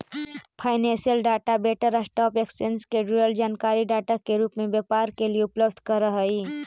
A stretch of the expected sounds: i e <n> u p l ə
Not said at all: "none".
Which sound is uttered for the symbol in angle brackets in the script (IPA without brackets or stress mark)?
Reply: none